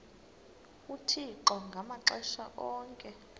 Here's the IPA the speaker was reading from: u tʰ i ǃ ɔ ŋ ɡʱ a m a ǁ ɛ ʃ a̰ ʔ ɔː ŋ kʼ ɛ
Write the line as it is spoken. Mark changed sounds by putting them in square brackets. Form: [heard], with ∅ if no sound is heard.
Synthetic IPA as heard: u tʰ i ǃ ɔ ŋ ɡʱ a m a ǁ ɛ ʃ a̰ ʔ ɔː ŋ kʼ ɛ